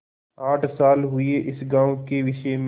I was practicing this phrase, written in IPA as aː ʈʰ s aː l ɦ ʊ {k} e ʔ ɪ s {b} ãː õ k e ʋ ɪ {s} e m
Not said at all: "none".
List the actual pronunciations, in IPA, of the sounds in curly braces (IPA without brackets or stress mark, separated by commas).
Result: none, ɡ, ʃ